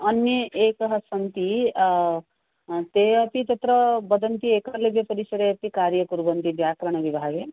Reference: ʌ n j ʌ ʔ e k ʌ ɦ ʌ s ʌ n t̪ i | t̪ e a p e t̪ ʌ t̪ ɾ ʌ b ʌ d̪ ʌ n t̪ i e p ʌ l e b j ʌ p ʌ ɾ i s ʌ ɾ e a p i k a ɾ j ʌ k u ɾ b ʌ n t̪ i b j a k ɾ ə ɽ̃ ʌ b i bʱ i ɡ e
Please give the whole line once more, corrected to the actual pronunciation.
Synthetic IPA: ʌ n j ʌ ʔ e k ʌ ɦ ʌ s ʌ n t̪ i | t̪ e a p i t̪ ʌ t̪ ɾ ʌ b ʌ d̪ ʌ n t̪ i e k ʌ l e b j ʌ p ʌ ɾ i s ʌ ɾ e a p i k a ɾ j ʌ k u ɾ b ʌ n t̪ i b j a k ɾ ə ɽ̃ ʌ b i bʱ a ɡ e

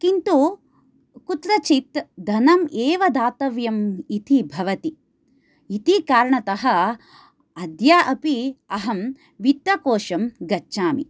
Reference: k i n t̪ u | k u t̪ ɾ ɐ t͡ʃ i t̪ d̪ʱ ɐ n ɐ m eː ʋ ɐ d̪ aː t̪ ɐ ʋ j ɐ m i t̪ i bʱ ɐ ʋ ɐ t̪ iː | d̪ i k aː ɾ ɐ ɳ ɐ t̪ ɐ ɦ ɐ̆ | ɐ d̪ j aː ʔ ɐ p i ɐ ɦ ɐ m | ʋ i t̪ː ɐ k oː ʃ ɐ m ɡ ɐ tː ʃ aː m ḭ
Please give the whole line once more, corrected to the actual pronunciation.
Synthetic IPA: k i n t̪ u | k u t̪ ɾ ɐ t͡ʃ i t̪ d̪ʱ ɐ n ɐ m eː ʋ ɐ d̪ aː t̪ ɐ ʋ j ɐ m i t̪ i bʱ ɐ ʋ ɐ t̪ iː | t̪ i k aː ɾ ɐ ɳ ɐ t̪ ɐ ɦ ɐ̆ | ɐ d̪ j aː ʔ ɐ p i ɐ ɦ ɐ m | ʋ i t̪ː ɐ k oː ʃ ɐ m ɡ ɐ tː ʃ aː m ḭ

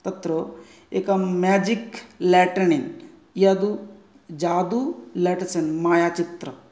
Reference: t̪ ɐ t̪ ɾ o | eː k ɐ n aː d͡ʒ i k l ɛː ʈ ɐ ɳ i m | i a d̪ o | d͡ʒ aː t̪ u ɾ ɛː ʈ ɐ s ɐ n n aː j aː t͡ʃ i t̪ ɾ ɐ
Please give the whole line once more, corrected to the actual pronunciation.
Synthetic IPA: t̪ ɐ t̪ ɾ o | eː k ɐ m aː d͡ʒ i k l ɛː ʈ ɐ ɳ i n | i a d̪ u | d͡ʒ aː d̪ u l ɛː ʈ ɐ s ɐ n m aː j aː t͡ʃ i t̪ ɾ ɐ

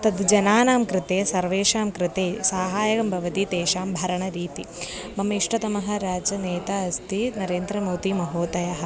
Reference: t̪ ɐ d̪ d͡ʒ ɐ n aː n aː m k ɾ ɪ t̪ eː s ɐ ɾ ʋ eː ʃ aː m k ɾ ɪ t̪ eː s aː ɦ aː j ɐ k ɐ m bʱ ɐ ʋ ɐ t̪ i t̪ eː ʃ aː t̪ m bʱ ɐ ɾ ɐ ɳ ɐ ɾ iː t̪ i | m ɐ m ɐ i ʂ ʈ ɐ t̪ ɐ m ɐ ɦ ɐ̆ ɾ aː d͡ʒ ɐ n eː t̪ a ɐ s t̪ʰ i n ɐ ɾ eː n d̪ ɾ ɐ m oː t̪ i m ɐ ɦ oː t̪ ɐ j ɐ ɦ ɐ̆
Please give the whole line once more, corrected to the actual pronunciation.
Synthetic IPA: t̪ ɐ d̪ d͡ʒ ɐ n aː n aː m k ɾ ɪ t̪ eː s ɐ ɾ ʋ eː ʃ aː m k ɾ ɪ t̪ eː s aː ɦ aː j ɐ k ɐ m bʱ ɐ ʋ ɐ t̪ i t̪ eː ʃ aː m bʱ ɐ ɾ ɐ ɳ ɐ ɾ iː t̪ i | m ɐ m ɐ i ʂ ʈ ɐ t̪ ɐ m ɐ ɦ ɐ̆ ɾ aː d͡ʒ ɐ n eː t̪ a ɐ s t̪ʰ i n ɐ ɾ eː n d̪ ɾ ɐ m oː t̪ i m ɐ ɦ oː t̪ ɐ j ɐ ɦ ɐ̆

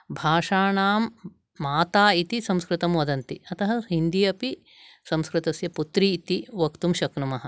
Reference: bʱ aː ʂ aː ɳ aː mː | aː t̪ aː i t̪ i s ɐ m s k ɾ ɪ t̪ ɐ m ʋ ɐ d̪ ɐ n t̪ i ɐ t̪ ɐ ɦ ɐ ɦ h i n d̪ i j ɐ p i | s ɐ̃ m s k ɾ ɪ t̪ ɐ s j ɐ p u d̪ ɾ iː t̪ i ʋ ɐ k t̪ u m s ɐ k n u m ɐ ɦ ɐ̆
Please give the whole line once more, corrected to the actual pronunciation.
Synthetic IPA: bʱ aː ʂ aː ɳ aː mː | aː t̪ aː i t̪ i s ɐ m s k ɾ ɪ t̪ ɐ m ʋ ɐ d̪ ɐ n t̪ i ɐ t̪ ɐ ɦ ɐ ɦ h i n d̪ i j ɐ p i | s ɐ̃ m s k ɾ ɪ t̪ ɐ s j ɐ p u t̪ ɾ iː t̪ i ʋ ɐ k t̪ u m ʃ ɐ k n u m ɐ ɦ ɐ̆

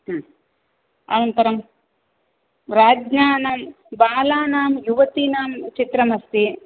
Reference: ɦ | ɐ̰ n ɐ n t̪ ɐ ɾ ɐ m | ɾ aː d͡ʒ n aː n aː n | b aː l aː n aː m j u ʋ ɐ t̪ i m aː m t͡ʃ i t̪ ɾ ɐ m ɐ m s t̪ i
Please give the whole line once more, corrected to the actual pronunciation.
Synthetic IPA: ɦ | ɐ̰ n ɐ n t̪ ɐ ɾ ɐ m | ɾ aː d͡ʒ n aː n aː m | b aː l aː n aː m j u ʋ ɐ t̪ i n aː m t͡ʃ i t̪ ɾ ɐ m ɐ s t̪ i

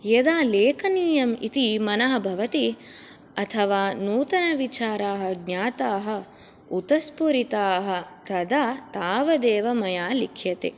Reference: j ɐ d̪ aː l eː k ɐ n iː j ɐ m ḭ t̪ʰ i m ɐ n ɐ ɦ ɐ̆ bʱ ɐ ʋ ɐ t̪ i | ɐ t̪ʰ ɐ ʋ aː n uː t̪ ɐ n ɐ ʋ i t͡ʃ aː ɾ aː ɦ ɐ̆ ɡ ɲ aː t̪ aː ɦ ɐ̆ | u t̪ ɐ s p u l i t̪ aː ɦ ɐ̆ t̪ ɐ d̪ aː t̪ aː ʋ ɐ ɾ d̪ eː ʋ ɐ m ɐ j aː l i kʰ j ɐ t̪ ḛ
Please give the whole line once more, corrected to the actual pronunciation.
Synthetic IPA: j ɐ d̪ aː l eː k ɐ n iː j ɐ m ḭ t̪ i m ɐ n ɐ ɦ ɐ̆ bʱ ɐ ʋ ɐ t̪ i | ɐ t̪ʰ ɐ ʋ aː n uː t̪ ɐ n ɐ ʋ i t͡ʃ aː ɾ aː ɦ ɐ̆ ɡ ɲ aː t̪ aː ɦ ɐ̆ | u t̪ ɐ s p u ɾ i t̪ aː ɦ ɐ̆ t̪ ɐ d̪ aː t̪ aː ʋ ɐ d̪ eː ʋ ɐ m ɐ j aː l i kʰ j ɐ t̪ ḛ

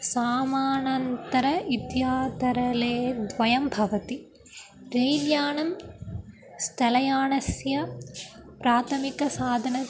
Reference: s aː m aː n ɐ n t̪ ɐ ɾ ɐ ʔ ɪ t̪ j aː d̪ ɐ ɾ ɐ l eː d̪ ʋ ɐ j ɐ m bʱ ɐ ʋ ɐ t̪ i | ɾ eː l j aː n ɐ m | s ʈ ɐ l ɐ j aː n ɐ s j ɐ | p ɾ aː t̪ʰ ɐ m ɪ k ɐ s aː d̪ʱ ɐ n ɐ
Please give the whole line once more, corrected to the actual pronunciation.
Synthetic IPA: s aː m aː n ɐ n t̪ ɐ ɾ ɐ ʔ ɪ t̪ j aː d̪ ɐ ɾ ɐ l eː d̪ ʋ ɐ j ɐ m bʱ ɐ ʋ ɐ t̪ i | ɾ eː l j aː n ɐ m | s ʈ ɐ l ɐ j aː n ɐ s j ɐ | p ɾ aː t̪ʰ ɐ m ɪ k ɐ s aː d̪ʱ ɐ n ɐ

